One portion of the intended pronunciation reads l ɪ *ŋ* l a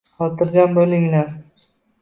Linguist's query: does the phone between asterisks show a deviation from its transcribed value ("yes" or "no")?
no